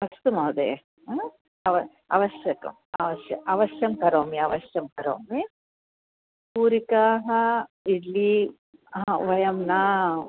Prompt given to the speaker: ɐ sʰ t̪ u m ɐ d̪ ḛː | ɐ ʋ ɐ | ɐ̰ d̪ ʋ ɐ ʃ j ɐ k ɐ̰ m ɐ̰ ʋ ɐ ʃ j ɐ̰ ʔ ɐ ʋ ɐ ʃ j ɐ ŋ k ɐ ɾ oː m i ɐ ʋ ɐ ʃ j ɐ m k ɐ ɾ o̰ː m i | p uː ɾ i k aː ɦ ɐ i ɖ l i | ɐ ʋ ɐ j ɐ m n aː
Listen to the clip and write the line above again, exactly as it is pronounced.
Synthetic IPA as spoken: ɐ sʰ t̪ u m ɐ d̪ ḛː | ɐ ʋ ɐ | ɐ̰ ʋ ɐ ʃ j ɐ k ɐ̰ m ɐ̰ ʋ ɐ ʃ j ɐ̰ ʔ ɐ ʋ ɐ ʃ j ɐ m k ɐ ɾ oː m i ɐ ʋ ɐ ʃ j ɐ m k ɐ ɾ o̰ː m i | p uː ɾ i k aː ɦ ɐ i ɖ l i | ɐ ʋ ɐ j ɐ m n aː